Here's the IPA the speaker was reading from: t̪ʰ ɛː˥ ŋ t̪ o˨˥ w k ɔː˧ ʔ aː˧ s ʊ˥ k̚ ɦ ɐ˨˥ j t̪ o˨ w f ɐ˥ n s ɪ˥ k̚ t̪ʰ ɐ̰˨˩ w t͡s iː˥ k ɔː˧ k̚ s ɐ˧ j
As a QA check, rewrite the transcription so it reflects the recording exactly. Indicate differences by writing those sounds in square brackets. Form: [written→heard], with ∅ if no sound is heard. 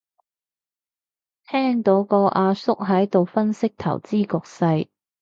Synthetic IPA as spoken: t̪ʰ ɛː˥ ŋ t̪ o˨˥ w k ɔː˧ ʔ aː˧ s ʊ˥ k̚ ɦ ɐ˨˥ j t̪ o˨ w f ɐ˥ n s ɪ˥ k̚ t̪ʰ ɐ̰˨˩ w t͡s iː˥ k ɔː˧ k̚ s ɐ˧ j